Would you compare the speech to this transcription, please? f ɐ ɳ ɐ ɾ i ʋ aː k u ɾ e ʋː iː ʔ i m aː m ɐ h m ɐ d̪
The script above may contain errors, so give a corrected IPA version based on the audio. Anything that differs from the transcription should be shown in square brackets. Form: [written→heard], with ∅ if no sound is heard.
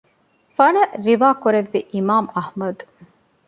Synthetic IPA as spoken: f ɐ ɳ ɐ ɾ i ʋ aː k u ɾ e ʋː [iː→i] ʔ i m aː m ɐ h m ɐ d̪